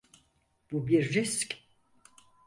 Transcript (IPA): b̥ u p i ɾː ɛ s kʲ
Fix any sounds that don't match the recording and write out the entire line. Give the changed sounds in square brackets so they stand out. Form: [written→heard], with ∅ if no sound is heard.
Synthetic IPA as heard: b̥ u [p→b] i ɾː [ɛ→i] s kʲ

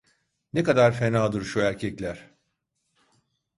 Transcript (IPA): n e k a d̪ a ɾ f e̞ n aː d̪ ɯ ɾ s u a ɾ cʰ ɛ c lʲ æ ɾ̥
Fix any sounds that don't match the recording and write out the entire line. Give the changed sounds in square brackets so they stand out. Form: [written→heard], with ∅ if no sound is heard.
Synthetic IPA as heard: n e k a d̪ a ɾ f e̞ n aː d̪ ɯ ɾ [s→ʃ] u [a→æ] ɾ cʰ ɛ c lʲ æ ɾ̥

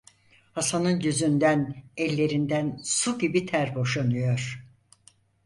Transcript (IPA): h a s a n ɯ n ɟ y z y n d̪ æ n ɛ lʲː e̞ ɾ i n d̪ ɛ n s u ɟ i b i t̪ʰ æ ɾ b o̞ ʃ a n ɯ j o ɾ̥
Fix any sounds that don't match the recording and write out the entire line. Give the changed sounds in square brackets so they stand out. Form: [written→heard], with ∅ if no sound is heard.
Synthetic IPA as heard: h a s a n ɯ n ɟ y z y n d̪ æ n ɛ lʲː e̞ ɾ i n d̪ [ɛ→æ] n s u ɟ i b i t̪ʰ æ ɾ b o̞ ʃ a n ɯ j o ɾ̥

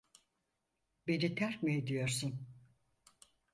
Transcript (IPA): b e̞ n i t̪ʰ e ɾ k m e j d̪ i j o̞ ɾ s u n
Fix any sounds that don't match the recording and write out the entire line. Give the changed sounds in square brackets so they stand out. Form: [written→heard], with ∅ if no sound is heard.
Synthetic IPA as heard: b e̞ n i t̪ʰ [e→æ] ɾ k m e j d̪ i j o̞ ɾ s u n

